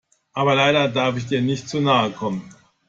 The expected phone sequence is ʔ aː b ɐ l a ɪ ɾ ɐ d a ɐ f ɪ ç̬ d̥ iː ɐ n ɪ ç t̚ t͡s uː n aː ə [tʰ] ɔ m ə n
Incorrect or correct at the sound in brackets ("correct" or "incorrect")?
incorrect